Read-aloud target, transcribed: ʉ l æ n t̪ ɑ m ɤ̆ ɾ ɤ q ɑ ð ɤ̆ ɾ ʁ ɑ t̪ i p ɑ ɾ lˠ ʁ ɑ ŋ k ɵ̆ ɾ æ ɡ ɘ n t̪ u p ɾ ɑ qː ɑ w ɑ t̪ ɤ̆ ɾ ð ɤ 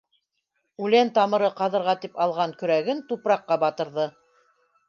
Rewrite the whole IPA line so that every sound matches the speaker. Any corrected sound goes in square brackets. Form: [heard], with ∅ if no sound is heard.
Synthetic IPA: ʉ l æ n t̪ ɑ m ɤ̆ ɾ ɤ q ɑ ð ɤ̆ ɾ ʁ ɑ t̪ i p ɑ [∅] lˠ ʁ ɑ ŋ k ɵ̆ ɾ æ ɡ ɘ n t̪ u p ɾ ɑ qː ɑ [b] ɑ t̪ ɤ̆ ɾ ð ɤ